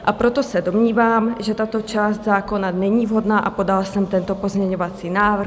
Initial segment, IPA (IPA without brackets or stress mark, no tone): ʔ